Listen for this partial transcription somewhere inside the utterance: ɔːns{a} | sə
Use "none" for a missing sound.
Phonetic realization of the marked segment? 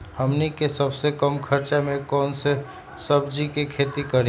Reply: e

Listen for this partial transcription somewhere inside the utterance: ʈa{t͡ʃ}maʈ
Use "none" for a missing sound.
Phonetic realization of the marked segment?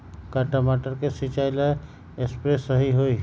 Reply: none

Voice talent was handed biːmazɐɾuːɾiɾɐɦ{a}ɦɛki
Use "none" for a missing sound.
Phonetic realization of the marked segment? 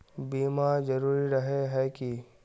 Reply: e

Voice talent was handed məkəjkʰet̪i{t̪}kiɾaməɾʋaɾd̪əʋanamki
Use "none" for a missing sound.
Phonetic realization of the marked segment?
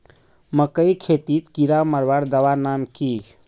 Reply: t̪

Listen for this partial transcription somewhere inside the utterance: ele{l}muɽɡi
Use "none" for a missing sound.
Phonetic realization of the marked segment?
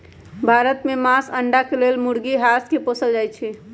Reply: l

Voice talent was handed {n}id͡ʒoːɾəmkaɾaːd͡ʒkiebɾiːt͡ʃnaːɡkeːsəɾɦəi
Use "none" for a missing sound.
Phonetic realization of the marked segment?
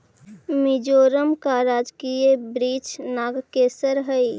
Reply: m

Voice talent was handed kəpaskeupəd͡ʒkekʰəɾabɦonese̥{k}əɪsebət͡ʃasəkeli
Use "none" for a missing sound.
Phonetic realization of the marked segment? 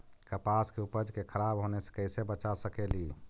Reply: k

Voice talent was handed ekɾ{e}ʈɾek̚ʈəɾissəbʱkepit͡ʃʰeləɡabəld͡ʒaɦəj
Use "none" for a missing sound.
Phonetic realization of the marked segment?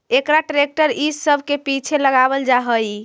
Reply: a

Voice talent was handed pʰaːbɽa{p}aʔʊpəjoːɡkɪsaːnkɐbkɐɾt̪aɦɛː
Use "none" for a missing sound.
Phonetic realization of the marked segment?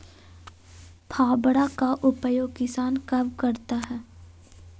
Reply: k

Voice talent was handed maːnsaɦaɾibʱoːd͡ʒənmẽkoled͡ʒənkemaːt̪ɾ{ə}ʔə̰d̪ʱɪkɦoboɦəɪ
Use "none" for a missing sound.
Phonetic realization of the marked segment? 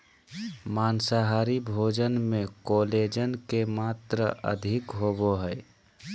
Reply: ə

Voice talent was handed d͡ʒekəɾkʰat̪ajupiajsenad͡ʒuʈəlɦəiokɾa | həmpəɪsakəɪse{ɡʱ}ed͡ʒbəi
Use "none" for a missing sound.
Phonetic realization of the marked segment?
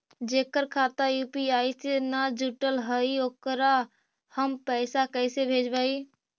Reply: bʱ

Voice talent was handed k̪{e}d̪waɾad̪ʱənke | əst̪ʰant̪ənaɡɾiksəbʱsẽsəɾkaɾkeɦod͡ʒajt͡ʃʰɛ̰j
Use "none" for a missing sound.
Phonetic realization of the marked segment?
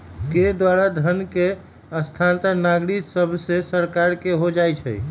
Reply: e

